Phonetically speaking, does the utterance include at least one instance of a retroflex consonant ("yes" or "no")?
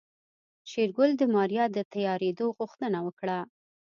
yes